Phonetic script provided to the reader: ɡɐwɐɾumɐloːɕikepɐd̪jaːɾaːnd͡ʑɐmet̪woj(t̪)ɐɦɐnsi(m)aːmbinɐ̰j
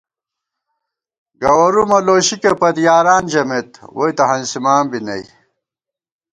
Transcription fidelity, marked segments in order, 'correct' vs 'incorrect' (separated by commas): correct, correct